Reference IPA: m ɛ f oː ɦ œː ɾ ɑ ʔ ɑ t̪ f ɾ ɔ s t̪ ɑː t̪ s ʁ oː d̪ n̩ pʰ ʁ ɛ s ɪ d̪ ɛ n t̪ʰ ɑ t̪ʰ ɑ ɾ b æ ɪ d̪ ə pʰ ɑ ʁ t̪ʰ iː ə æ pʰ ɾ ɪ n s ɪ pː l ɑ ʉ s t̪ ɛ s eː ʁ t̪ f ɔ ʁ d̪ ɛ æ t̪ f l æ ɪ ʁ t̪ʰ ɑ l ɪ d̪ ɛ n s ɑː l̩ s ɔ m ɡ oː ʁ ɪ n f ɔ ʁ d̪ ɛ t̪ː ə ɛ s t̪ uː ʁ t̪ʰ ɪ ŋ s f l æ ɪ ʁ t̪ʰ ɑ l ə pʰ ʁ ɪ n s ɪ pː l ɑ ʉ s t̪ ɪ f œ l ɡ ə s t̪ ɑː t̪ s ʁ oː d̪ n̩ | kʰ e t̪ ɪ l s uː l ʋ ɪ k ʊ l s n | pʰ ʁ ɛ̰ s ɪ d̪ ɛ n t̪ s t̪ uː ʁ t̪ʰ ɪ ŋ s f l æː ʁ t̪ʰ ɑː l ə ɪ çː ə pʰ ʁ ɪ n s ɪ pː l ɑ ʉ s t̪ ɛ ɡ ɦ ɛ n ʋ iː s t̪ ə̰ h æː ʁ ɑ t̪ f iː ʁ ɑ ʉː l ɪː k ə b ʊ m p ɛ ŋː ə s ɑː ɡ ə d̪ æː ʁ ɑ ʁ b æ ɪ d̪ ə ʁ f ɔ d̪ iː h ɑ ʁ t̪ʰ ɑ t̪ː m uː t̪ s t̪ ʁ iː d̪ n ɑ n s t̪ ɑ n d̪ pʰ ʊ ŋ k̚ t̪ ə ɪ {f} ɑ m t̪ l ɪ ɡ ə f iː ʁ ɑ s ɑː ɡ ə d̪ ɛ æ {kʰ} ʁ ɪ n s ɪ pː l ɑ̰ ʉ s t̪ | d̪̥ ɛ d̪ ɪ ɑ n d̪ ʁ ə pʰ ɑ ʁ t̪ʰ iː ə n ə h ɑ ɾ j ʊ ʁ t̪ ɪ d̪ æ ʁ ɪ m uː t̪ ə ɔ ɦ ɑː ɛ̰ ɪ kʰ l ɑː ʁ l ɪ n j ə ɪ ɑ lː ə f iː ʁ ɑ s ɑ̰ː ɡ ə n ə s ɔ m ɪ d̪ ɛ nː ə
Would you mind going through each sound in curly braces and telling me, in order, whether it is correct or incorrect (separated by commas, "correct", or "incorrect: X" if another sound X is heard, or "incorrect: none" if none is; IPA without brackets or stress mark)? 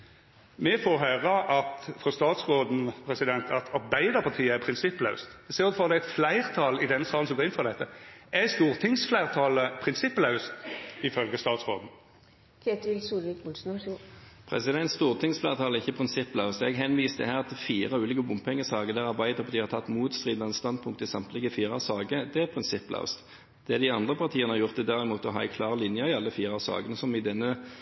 incorrect: s, incorrect: pʰ